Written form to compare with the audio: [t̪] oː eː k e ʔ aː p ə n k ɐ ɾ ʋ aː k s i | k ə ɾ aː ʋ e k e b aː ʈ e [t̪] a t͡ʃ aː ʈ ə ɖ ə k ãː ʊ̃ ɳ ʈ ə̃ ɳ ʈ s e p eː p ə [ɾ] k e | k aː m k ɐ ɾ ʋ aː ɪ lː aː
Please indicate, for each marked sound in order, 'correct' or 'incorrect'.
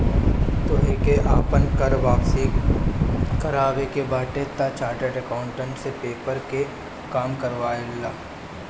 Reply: correct, correct, correct

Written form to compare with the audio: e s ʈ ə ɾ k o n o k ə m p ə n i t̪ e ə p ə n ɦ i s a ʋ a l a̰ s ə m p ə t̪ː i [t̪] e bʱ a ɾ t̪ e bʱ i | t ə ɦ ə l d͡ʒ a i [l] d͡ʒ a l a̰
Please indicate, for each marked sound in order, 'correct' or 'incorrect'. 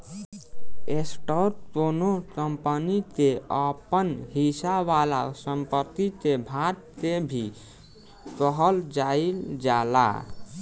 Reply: correct, correct

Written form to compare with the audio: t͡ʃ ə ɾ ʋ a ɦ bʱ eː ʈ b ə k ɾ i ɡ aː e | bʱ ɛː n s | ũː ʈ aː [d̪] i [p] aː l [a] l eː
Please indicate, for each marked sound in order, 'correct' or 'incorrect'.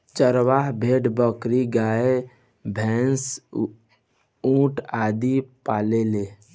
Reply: correct, correct, incorrect: e

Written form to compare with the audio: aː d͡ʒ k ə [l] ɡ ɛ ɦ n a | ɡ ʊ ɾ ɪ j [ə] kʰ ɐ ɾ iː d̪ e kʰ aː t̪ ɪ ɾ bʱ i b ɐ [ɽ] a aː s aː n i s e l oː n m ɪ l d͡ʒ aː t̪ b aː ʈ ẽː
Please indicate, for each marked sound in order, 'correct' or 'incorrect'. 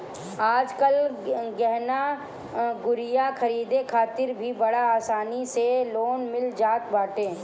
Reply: correct, incorrect: a, correct

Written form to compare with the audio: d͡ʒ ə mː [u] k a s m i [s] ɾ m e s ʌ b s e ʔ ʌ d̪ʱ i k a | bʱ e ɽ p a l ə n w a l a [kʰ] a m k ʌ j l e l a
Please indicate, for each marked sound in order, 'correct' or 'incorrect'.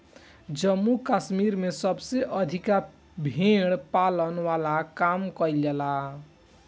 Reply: correct, incorrect: none, incorrect: k

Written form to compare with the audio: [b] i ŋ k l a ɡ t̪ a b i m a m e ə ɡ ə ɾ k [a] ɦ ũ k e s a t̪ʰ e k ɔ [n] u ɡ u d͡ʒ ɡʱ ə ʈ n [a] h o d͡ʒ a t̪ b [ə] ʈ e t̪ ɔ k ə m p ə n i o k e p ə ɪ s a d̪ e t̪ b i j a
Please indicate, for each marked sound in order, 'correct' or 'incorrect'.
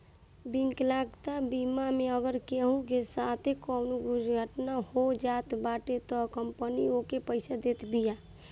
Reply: correct, incorrect: e, correct, correct, incorrect: a

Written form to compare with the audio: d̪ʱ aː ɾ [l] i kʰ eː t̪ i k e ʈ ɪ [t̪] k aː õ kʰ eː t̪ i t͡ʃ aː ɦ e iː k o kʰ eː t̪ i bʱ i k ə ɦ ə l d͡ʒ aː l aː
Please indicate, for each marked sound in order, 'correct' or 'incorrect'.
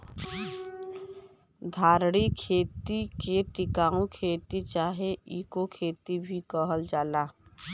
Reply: incorrect: ɽ, incorrect: none

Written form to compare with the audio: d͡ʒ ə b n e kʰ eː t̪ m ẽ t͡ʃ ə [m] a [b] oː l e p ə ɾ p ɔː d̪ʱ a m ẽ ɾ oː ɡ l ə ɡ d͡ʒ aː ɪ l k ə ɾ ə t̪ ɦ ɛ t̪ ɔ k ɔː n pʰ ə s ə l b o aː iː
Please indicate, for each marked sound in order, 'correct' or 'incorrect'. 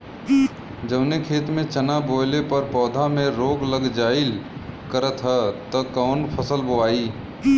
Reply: incorrect: n, correct

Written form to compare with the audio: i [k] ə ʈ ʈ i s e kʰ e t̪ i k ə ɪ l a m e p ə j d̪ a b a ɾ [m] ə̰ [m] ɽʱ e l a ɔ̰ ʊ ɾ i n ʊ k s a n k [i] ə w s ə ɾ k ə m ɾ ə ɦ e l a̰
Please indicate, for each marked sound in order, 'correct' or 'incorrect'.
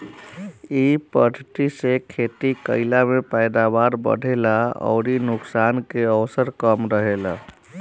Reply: incorrect: p, incorrect: b, incorrect: none, incorrect: e

